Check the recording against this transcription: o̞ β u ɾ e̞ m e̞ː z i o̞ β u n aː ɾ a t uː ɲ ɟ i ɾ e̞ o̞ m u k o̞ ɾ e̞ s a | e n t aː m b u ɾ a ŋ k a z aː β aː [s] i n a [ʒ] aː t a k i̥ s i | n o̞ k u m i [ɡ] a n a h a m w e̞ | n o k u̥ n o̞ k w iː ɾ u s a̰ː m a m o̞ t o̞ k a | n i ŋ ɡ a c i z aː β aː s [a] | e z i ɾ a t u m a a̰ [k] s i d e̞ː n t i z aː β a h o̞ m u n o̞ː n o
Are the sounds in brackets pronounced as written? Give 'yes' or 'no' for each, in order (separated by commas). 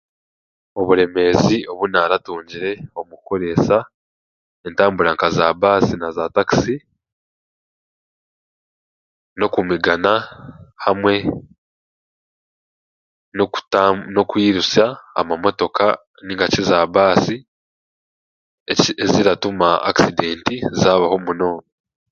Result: yes, no, yes, no, yes